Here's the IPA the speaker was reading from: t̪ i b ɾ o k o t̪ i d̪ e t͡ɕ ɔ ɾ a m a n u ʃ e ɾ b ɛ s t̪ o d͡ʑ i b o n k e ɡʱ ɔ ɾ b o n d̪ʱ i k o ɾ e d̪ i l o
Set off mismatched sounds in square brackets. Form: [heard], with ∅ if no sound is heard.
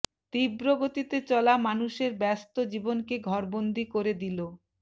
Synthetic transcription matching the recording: t̪ i b ɾ o [ɡ] o t̪ i [t̪] e t͡ɕ ɔ [l] a m a n u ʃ e ɾ b ɛ s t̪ o d͡ʑ i b o n k e ɡʱ ɔ ɾ b o n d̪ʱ i k o ɾ e d̪ i l o